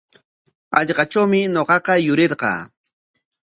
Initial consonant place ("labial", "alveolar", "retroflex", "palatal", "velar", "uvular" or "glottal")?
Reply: palatal